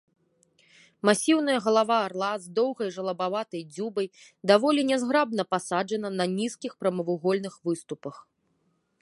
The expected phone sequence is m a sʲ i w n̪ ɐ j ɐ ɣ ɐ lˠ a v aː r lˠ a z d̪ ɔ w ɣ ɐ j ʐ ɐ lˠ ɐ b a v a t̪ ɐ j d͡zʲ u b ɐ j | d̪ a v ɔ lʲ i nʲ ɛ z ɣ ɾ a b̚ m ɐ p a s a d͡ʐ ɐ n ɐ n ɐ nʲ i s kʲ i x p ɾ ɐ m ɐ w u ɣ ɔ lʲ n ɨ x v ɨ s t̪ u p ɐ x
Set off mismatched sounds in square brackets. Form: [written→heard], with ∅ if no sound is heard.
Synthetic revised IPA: m a sʲ i w n̪ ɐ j ɐ ɣ ɐ lˠ a v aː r lˠ a z d̪ ɔ w ɣ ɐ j ʐ ɐ lˠ ɐ b a v a t̪ ɐ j d͡zʲ u b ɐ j | d̪ a v ɔ lʲ i nʲ ɛ z ɣ ɾ a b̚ [m→n] ɐ p a s a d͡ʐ ɐ n ɐ n ɐ nʲ i s kʲ i x p ɾ ɐ m ɐ [w→v] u ɣ ɔ lʲ n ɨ x v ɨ s t̪ u p ɐ x